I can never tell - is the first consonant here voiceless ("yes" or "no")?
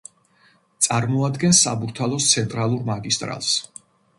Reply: yes